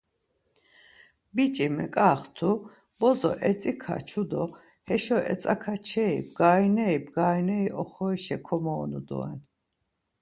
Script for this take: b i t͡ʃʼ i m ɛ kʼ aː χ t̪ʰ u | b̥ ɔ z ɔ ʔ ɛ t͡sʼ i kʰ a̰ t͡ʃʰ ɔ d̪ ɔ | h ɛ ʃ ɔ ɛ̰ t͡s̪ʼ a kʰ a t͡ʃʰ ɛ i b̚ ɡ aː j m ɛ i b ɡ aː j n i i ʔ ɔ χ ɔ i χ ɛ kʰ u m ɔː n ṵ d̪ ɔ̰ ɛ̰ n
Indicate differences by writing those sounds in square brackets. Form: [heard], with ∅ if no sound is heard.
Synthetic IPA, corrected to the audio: b i t͡ʃʼ i m ɛ kʼ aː χ t̪ʰ u | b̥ ɔ z ɔ ʔ ɛ t͡sʼ i kʰ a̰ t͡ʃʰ [u] d̪ ɔ | h ɛ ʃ ɔ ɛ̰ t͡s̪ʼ a kʰ a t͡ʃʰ ɛ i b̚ ɡ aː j [n] ɛ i b ɡ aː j n [ɛ] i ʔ ɔ χ ɔ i [ʃ] ɛ kʰ [ɔ] m ɔː n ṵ d̪ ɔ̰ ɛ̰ n

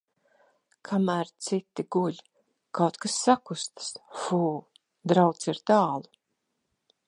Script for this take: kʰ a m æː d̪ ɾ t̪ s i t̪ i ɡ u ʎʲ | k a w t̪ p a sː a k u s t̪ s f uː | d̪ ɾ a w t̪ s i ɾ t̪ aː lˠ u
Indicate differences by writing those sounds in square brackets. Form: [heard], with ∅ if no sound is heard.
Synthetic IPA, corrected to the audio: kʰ a m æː [∅] ɾ t̪ s i t̪ i ɡ u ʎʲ | k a w t̪ [k] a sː a k u s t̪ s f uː | d̪ ɾ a w t̪ s i ɾ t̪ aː lˠ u

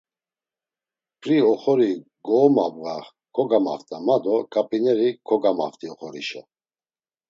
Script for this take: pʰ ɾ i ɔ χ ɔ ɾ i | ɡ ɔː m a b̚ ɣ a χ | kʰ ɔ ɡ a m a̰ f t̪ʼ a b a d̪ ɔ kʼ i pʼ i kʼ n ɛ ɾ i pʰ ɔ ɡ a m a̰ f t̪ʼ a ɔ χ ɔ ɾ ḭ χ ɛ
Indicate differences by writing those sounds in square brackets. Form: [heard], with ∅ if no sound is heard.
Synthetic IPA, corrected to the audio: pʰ ɾ i ɔ χ ɔ ɾ i | ɡ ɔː m a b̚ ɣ a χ | kʰ ɔ ɡ a m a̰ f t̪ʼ a [m] a d̪ ɔ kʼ [a] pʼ i [∅] n ɛ ɾ i [kʰ] ɔ ɡ a m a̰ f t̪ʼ [i] ɔ χ ɔ ɾ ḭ [ʃ] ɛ

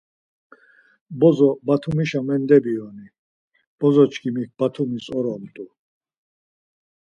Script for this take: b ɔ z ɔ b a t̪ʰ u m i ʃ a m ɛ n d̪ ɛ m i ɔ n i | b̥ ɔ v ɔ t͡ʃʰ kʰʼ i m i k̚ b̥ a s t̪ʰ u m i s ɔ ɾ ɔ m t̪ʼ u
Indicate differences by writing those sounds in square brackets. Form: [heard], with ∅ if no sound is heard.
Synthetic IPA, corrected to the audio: b ɔ z ɔ b a t̪ʰ u m i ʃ a m ɛ n d̪ ɛ [b] i ɔ n i | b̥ ɔ [z] ɔ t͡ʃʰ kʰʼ i m i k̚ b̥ a [∅] t̪ʰ u m i s ɔ ɾ ɔ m t̪ʼ u

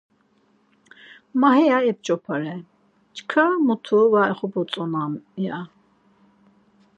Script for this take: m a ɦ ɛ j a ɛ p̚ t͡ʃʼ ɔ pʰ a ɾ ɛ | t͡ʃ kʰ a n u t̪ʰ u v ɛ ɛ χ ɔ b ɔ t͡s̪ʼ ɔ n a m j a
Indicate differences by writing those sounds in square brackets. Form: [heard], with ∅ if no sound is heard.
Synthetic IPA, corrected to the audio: m a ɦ ɛ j a ɛ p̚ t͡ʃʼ ɔ pʰ a ɾ ɛ | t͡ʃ kʰ a [m] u t̪ʰ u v [a] ɛ χ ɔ b ɔ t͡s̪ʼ ɔ n a m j a

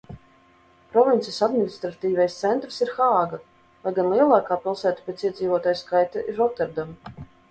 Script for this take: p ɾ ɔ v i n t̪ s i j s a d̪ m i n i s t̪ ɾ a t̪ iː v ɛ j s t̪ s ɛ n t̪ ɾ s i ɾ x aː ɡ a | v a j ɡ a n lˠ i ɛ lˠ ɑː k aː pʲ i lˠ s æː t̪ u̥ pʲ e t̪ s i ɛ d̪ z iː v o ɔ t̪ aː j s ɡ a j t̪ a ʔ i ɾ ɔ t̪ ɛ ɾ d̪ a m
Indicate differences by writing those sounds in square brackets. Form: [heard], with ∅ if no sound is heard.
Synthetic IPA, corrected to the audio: p ɾ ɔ v i n t̪ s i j s a d̪ m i n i s t̪ ɾ a t̪ iː v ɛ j s t̪ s ɛ n t̪ ɾ s i ɾ x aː ɡ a | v a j ɡ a n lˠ i ɛ lˠ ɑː k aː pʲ i lˠ s æː t̪ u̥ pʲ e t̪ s i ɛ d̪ z iː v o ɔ t̪ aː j s [k] a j t̪ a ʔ i ɾ ɔ t̪ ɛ ɾ d̪ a m

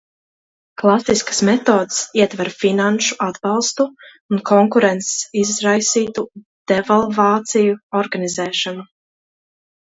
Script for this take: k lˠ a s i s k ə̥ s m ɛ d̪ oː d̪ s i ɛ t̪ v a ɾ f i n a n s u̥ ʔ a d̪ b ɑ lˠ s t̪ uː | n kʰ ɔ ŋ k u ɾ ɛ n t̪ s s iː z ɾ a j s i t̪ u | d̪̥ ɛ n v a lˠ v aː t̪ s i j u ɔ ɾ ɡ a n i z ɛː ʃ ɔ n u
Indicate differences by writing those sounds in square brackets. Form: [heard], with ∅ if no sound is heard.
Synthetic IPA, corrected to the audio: k lˠ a s i s k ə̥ s m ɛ [t̪] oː d̪ s i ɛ t̪ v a ɾ f i n a n [ʃ] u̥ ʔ a d̪ b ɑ lˠ s t̪ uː | n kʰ ɔ ŋ k u ɾ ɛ n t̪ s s [i] z ɾ a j s [iː] t̪ u | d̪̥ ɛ [∅] v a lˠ v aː t̪ s i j u ɔ ɾ ɡ a n i z ɛː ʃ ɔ n u

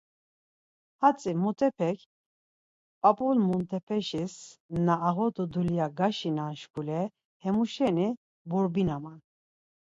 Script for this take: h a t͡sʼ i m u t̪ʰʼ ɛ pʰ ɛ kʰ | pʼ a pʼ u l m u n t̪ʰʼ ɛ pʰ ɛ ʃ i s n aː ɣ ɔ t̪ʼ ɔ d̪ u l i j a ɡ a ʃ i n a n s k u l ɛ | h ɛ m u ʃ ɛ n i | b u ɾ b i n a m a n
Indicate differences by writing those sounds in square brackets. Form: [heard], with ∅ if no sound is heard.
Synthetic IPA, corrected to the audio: h a t͡sʼ i m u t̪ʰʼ ɛ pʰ ɛ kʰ | pʼ a pʼ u l m u n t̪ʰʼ ɛ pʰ ɛ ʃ i s n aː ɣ ɔ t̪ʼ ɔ d̪ u l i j a ɡ a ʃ i n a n [ʃ] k u l ɛ | h ɛ m u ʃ ɛ n i | b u ɾ b i n a m a n

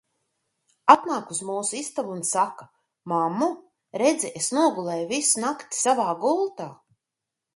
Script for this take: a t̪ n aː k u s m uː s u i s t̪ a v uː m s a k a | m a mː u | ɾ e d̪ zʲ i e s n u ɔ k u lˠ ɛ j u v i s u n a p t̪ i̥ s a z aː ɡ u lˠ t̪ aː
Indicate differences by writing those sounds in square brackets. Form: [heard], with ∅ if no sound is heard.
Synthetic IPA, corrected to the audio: a t̪ n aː k u [z] m uː s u i s t̪ a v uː [n] s a k a | m a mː u | ɾ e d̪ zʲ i e s n u ɔ [ɡ] u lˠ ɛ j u v i s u n a [k] t̪ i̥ s a [v] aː ɡ u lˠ t̪ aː

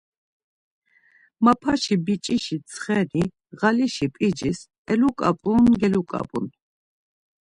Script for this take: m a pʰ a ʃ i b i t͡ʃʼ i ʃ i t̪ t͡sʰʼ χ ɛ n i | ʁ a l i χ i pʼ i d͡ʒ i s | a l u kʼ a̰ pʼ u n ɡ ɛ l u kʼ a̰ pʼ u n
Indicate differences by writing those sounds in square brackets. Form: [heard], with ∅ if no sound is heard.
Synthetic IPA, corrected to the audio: m a pʰ a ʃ i b i t͡ʃʼ i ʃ i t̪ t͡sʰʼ χ ɛ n i | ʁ a l i [ʃ] i pʼ i d͡ʒ i s | [ɛ] l u kʼ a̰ pʼ u n ɡ ɛ l u kʼ a̰ pʼ u n

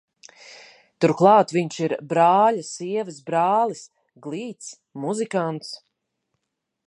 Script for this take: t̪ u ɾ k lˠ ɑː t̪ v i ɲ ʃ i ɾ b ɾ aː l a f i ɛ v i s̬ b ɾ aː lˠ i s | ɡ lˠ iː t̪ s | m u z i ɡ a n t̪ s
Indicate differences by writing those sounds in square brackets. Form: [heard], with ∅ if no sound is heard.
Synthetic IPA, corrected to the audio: t̪ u ɾ k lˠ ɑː t̪ v i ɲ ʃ i ɾ b ɾ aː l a [s] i ɛ v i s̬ b ɾ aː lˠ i s | ɡ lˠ iː t̪ s | m u z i [k] a n t̪ s

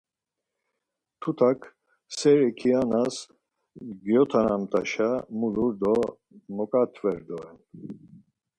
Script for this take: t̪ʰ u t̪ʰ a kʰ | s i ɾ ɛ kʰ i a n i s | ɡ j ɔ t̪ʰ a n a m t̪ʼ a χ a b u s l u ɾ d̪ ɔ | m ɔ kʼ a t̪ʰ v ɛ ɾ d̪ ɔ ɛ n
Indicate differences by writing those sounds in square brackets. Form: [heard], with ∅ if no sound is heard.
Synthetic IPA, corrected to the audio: t̪ʰ u t̪ʰ a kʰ | s [ɛ] ɾ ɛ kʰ i a n [a] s | ɡ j ɔ t̪ʰ a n a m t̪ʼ a [ʃ] a [m] u [∅] l u ɾ d̪ ɔ | m ɔ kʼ a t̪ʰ v ɛ ɾ d̪ ɔ ɛ n

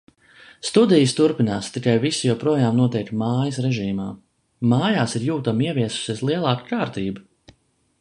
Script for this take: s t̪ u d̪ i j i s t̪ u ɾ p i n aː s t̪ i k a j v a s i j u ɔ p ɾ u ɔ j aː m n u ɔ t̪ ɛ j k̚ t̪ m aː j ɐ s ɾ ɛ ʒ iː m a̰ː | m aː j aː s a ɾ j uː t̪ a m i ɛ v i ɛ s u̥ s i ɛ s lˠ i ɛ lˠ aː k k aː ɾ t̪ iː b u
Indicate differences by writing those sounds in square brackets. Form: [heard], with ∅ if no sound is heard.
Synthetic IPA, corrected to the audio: s t̪ u d̪ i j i s t̪ u ɾ p i n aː s t̪ i k a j v [i] s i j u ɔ p ɾ u ɔ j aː m n u ɔ t̪ ɛ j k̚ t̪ m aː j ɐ s ɾ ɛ ʒ iː m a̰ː | m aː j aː s [i] ɾ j uː t̪ a m i ɛ v i ɛ s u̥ s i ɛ s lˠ i ɛ lˠ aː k k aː ɾ t̪ iː b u

